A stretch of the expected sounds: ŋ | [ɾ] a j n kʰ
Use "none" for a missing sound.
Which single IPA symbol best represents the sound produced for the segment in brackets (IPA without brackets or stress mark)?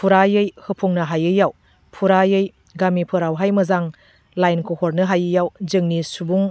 l